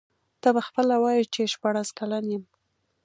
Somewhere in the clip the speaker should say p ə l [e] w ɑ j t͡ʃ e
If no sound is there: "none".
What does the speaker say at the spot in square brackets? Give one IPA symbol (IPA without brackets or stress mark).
a